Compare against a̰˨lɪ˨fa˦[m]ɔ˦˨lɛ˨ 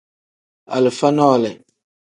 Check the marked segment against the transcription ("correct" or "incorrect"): incorrect